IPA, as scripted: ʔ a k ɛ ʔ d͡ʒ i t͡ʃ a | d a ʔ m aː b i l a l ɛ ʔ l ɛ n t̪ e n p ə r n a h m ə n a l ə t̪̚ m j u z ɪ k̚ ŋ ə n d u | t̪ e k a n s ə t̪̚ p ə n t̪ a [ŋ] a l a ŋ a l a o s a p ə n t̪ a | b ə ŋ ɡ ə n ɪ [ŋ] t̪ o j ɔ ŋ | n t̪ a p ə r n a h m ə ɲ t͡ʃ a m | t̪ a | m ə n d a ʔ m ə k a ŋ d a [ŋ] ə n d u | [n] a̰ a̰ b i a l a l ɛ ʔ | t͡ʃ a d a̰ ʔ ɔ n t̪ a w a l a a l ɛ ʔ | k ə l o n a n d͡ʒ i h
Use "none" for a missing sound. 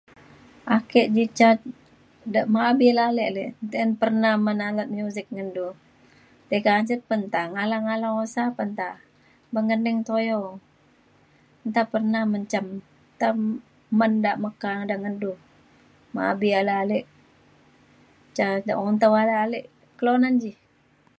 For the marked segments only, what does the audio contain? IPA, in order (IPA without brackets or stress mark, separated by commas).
ŋ, ŋ, ŋ, m